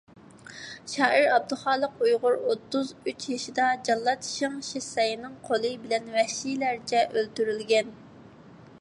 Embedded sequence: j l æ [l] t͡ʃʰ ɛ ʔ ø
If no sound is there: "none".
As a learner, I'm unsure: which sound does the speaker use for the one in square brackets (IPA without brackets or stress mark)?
ɾ